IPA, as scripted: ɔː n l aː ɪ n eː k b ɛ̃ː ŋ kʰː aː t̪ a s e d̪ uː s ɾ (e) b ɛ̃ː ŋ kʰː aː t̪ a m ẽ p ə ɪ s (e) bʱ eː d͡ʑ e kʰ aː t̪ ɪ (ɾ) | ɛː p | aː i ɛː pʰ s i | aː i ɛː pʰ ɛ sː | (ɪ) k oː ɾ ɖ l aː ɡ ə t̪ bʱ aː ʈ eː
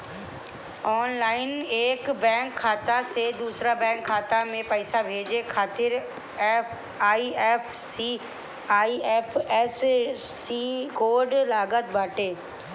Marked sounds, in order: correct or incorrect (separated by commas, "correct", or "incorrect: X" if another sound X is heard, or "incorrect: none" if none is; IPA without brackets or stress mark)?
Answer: incorrect: a, incorrect: a, correct, incorrect: i